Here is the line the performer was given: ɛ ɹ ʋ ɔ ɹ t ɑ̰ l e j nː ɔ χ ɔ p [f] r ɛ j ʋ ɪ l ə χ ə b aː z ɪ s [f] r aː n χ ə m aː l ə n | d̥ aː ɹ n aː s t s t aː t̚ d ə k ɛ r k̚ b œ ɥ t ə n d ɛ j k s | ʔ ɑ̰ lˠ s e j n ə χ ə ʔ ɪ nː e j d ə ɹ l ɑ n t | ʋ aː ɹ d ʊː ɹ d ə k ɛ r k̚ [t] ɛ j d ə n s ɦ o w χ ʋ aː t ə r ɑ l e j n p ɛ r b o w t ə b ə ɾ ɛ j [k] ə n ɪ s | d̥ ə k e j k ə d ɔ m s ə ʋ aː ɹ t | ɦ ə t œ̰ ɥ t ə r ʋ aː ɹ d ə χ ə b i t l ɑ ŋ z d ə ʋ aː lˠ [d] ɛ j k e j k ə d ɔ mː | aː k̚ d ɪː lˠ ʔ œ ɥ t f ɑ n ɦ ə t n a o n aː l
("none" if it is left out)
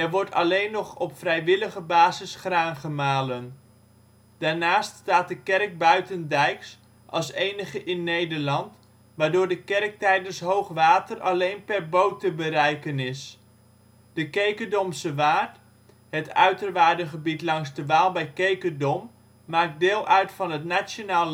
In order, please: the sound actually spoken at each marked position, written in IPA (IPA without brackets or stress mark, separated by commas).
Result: f, χ, t, k, b